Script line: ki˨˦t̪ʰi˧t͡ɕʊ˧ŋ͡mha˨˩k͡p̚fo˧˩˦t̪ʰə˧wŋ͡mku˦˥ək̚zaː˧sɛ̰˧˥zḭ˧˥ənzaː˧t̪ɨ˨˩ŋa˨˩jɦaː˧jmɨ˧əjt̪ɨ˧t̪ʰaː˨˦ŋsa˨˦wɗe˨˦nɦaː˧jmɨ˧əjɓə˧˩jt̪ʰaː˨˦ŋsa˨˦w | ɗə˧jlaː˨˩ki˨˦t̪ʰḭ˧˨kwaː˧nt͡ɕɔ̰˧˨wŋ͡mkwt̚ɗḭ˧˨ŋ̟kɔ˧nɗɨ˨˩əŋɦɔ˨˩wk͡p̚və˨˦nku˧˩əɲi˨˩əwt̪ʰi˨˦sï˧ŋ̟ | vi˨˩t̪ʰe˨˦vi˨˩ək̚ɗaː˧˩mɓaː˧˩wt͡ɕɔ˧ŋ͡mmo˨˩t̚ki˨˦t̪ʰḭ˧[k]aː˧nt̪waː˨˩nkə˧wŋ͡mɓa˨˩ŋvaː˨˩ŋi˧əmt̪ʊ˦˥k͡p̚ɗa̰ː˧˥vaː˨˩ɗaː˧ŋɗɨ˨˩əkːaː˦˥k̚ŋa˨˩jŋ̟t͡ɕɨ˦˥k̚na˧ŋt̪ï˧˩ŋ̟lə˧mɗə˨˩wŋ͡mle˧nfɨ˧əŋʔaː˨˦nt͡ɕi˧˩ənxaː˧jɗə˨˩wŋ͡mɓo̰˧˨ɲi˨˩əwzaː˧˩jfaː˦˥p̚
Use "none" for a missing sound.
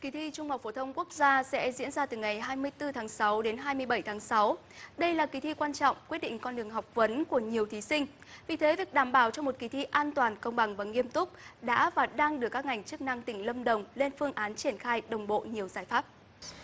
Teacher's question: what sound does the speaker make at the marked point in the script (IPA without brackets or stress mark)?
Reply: ʔ